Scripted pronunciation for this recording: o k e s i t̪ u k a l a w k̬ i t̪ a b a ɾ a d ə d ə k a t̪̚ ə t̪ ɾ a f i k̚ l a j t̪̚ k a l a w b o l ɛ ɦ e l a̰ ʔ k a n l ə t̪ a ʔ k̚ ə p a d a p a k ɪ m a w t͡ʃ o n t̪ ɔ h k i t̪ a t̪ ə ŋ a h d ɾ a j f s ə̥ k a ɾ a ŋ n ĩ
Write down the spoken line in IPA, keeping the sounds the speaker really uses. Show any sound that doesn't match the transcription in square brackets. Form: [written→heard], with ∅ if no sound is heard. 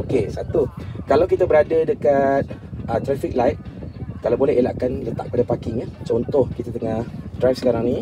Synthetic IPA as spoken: o k e s [i→a] t̪ u k a l a w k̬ i t̪ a b [a→ə] ɾ a d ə d ə k a t̪̚ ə t̪ ɾ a f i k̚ l a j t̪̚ k a l a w b o l ɛ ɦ e l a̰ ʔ k a n l ə t̪ a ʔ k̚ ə p a d a p a k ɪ [m→ŋ] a [w→∅] t͡ʃ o n t̪ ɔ h k i t̪ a t̪ ə ŋ a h d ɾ a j f s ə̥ k a ɾ a ŋ n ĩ